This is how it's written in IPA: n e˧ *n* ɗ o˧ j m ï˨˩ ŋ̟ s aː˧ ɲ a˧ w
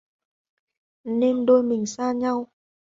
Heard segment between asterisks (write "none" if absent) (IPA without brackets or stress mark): m